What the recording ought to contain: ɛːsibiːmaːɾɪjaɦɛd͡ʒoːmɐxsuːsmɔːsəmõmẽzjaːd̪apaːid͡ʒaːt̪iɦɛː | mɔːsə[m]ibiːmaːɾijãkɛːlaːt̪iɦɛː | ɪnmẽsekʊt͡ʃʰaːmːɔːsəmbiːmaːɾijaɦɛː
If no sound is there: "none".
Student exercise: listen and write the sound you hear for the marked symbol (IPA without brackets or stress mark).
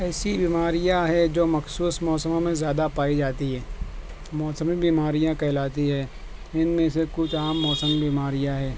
m